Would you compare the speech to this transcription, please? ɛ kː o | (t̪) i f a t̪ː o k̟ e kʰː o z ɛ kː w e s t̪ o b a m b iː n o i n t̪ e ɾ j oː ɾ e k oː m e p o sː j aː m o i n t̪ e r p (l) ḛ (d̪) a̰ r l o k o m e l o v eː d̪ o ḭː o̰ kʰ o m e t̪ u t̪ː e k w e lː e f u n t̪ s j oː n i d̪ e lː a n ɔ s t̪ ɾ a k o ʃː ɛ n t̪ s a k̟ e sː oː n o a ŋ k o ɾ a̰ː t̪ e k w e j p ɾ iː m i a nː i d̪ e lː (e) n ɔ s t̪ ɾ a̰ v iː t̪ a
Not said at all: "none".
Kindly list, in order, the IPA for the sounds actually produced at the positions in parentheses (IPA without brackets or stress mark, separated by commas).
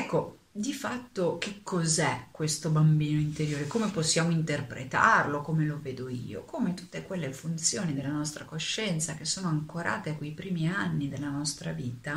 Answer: d̪, ɾ, t̪, a